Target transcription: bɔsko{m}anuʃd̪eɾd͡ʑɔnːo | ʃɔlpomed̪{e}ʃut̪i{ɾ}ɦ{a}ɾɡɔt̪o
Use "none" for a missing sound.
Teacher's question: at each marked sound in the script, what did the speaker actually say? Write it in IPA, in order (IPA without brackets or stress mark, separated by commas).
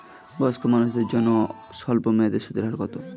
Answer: m, e, ɾ, a